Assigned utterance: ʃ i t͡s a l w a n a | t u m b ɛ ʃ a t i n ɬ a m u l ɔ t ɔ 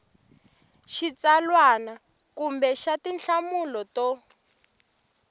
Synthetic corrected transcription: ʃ i t͡s a l w a n a | k u m b ɛ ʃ a t i n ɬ a m u l ɔ t ɔ